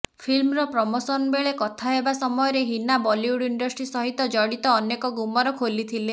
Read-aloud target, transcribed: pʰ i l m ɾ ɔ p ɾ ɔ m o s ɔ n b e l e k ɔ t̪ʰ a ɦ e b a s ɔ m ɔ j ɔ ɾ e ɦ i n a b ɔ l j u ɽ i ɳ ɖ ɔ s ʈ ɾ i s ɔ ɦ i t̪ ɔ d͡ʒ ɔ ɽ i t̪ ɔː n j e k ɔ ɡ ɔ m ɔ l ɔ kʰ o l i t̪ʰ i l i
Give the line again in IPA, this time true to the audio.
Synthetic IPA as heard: pʰ i l m ɾ ɔ p ɾ ɔ m o s ɔ n b e ɭ e k ɔ t̪ʰ a ɦ e b a s ɔ m ɔ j ɔ ɾ e ɦ i n a b ɔ l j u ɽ i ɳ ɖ ɔ s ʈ ɾ i s ɔ ɦ i t̪ ɔ d͡ʒ ɔ ɽ i t̪ ɔː n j e k ɔ ɡ u m ɔ ɾ ɔ kʰ o l i t̪ʰ i l e